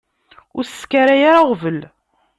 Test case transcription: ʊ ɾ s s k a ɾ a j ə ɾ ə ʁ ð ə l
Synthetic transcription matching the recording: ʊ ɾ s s k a ɾ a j a ɾ a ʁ v ə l